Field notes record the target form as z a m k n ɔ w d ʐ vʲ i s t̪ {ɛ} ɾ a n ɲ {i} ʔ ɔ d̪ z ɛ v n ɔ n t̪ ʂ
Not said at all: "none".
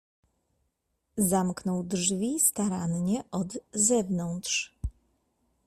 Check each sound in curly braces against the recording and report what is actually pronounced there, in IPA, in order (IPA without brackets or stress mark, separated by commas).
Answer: a, ɛ